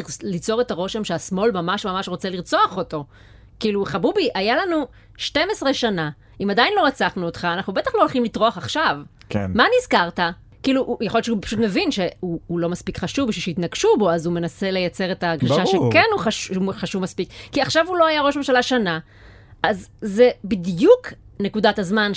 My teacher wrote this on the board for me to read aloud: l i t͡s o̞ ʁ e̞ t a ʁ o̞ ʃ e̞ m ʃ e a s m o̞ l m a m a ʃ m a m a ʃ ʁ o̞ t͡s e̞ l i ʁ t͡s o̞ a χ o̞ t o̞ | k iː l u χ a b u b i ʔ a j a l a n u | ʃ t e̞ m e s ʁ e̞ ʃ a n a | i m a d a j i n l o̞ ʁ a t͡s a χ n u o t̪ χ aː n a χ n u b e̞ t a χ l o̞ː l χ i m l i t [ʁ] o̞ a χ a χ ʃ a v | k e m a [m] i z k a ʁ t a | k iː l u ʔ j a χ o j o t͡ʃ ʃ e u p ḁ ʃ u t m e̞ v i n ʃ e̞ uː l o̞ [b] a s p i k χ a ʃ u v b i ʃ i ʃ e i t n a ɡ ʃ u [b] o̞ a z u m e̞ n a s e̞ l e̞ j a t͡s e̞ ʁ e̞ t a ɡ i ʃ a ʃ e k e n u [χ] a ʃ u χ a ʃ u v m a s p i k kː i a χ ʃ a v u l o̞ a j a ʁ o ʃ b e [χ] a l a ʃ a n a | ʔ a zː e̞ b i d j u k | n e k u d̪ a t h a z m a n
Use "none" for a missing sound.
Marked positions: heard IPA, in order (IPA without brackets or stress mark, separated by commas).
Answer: ʁ, n, m, b, χ, ʃ